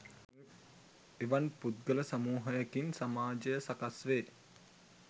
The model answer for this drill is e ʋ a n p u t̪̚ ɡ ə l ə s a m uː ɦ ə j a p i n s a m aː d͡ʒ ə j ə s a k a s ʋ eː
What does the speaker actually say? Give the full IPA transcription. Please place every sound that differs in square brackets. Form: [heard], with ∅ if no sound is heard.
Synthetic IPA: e ʋ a n p u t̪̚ ɡ ə l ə s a m uː ɦ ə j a [k] i n s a m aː d͡ʒ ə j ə s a k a s ʋ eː